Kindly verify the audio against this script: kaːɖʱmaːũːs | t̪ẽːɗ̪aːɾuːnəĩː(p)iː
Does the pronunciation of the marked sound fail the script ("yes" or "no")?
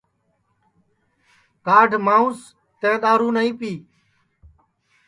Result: no